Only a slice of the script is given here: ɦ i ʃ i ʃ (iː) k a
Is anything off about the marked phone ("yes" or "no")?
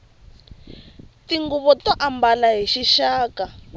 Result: yes